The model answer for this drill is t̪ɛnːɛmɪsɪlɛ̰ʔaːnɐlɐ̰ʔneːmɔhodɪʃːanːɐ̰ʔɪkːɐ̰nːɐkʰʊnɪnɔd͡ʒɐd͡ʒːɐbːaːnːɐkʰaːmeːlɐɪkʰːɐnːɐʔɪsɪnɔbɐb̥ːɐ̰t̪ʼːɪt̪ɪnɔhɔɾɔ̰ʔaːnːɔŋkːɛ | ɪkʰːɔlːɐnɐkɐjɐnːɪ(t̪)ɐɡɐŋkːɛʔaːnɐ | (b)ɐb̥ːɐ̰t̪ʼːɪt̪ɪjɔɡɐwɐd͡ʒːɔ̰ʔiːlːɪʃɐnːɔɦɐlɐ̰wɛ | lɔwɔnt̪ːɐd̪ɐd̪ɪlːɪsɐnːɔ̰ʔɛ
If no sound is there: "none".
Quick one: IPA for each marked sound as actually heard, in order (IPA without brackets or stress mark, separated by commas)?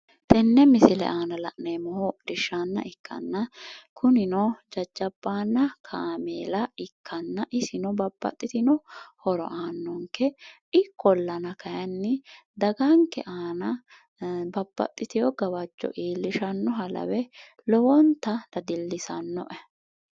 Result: d̪, b